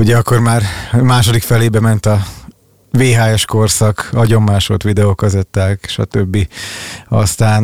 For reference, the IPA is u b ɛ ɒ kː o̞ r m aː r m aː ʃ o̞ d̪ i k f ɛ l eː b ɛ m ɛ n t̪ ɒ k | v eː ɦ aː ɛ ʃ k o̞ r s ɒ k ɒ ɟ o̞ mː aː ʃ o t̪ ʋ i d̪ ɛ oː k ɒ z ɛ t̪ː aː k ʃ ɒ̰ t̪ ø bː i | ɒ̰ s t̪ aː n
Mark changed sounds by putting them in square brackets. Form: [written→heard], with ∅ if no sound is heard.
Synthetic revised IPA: u [b→ɟ] ɛ ɒ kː o̞ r m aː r m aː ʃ o̞ d̪ i k f ɛ l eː b ɛ m ɛ n t̪ ɒ [k→∅] | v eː ɦ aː ɛ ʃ k o̞ r s ɒ k ɒ ɟ o̞ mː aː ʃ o t̪ ʋ i d̪ ɛ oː k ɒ z ɛ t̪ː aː k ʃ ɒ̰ t̪ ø bː i | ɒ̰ s t̪ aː n